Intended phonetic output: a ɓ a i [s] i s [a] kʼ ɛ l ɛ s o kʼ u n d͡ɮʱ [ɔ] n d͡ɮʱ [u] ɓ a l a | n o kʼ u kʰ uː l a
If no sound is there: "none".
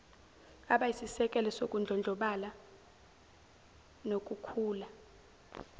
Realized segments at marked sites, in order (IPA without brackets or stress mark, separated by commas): s, ɛ, ɔ, ɔ